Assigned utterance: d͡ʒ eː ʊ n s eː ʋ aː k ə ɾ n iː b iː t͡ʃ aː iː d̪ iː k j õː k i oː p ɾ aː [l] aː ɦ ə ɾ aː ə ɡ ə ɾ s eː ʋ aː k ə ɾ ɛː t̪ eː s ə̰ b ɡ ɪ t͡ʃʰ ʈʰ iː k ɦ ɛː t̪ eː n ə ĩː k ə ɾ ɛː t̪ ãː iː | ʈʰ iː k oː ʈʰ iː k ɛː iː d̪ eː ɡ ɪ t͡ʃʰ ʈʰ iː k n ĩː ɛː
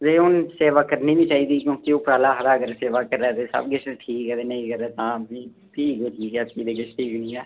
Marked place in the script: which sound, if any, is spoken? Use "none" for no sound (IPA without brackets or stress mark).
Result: l